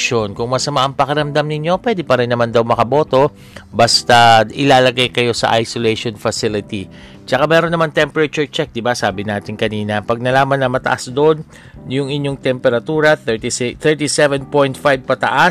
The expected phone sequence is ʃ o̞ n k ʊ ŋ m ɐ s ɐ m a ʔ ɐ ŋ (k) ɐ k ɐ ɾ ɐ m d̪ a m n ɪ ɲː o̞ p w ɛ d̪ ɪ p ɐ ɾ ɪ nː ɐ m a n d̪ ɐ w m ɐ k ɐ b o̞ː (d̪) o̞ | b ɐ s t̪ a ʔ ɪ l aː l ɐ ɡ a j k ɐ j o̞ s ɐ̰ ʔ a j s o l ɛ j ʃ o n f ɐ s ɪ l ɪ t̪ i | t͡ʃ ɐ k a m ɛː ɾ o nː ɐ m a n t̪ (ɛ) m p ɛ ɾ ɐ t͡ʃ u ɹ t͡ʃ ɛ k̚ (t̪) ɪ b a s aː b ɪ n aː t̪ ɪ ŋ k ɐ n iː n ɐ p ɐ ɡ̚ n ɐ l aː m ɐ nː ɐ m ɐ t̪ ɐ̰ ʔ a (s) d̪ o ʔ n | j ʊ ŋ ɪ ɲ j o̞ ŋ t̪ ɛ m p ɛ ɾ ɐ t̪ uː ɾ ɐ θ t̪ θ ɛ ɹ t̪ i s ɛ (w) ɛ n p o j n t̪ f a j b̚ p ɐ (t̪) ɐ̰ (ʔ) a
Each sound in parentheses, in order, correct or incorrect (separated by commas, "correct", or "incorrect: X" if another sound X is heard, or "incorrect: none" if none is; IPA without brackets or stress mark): incorrect: p, incorrect: t̪, correct, incorrect: d̪, correct, incorrect: v, correct, correct